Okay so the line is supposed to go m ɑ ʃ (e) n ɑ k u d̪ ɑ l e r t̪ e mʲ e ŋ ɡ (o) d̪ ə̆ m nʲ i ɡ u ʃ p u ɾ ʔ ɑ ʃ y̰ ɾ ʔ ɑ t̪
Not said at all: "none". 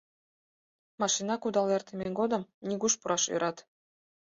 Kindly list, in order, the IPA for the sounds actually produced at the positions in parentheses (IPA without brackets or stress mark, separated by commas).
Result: i, o